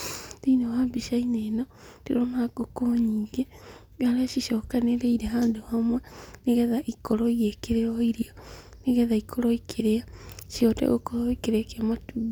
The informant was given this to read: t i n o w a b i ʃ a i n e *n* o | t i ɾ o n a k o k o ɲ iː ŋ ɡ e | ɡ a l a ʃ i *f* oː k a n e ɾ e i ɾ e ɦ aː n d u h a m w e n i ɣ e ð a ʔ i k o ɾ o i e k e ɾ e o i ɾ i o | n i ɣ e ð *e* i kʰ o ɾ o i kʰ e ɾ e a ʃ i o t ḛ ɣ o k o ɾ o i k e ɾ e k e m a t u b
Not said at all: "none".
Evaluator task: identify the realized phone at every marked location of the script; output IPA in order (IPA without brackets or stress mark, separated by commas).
n, ʃ, a